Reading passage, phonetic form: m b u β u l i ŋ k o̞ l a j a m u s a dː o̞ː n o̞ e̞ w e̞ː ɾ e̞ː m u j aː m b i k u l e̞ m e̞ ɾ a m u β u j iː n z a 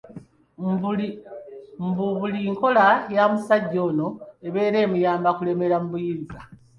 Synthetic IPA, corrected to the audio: m b u β u l i ŋ k o̞ l a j a m u s a ɟː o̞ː n o̞ e̞ β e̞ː ɾ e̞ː m u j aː m b a k u l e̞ m e̞ ɾ a m u β u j iː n z a